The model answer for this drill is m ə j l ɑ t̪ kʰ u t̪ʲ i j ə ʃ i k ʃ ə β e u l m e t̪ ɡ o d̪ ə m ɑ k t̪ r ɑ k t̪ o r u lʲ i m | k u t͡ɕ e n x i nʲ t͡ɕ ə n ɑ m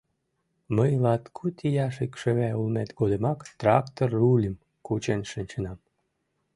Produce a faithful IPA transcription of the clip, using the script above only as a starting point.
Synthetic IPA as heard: m ə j l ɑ t̪ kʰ u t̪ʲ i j ɑ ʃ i k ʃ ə β æ u l m e t̪ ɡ o d̪ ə m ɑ k t̪ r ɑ k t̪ o r u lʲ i m | k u t͡ɕ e n ʃ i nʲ t͡ɕ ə n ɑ m